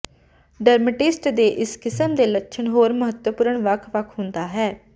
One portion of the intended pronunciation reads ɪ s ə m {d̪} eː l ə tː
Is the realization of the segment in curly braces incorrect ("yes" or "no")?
no